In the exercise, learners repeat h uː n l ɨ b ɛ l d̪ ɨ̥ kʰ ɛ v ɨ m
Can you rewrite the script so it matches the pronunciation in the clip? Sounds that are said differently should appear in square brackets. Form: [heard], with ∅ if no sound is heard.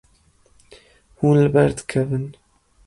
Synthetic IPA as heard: h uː n l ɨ b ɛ [ɾ] d̪ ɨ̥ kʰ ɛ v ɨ [n]